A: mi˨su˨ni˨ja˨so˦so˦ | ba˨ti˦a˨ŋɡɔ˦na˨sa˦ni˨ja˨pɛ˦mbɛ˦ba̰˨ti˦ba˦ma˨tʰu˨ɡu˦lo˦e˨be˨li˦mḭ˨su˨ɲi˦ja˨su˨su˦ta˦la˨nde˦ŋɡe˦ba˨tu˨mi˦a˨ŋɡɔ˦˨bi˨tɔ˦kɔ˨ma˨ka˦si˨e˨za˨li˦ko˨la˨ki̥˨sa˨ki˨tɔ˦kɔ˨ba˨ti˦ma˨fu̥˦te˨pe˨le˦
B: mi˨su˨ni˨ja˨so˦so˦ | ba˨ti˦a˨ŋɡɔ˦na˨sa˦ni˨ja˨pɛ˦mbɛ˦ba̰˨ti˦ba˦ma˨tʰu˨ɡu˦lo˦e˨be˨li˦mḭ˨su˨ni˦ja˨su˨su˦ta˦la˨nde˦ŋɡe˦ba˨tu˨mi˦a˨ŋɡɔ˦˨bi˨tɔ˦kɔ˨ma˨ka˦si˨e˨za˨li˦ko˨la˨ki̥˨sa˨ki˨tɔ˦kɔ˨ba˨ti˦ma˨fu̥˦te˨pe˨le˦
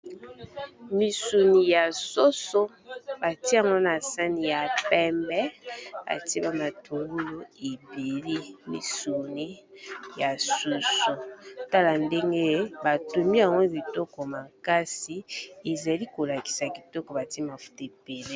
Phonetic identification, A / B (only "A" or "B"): B